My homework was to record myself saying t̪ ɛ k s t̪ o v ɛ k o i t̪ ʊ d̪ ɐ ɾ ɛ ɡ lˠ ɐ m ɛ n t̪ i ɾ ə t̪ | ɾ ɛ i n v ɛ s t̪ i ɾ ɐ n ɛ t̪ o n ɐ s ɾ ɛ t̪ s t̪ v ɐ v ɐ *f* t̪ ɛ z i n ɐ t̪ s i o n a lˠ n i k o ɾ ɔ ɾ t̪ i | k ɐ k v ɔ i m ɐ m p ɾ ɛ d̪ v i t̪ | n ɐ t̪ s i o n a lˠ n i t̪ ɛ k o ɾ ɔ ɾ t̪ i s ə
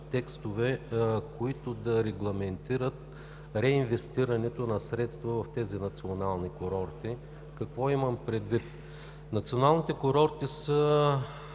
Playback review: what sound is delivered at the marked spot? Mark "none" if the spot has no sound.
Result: f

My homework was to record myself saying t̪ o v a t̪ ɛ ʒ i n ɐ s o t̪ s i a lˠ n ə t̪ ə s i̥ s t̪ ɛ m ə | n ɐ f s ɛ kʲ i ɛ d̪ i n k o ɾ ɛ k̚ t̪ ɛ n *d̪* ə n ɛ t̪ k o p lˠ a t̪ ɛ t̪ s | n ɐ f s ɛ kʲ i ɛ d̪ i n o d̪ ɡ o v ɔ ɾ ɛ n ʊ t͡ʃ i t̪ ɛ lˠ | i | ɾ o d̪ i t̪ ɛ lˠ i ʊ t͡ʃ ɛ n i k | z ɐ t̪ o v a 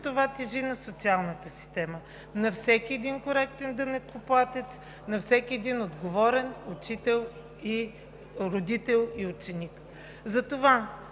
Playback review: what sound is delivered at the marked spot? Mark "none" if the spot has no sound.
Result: d̪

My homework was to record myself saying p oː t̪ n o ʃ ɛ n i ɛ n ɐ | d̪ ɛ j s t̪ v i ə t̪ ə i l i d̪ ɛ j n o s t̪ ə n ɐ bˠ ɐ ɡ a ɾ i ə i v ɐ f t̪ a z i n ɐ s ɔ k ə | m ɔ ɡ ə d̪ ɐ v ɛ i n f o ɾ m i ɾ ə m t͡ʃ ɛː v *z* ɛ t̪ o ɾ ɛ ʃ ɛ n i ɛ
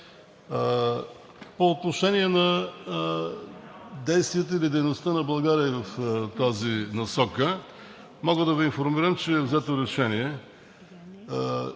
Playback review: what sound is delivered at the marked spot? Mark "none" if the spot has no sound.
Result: z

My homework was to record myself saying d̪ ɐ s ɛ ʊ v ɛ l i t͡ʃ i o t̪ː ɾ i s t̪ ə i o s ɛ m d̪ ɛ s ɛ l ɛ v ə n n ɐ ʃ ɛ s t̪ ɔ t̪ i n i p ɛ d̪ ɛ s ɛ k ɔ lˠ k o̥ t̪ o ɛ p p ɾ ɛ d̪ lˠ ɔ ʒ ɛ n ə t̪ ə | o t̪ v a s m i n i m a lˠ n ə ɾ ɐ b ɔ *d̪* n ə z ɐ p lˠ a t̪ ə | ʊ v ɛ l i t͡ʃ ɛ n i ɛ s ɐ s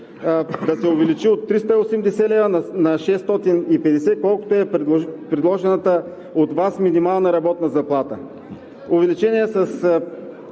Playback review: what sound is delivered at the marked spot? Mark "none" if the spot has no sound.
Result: t̪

